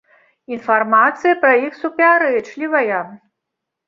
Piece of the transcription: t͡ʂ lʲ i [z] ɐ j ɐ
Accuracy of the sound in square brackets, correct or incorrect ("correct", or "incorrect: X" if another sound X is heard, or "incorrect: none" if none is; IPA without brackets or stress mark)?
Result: incorrect: v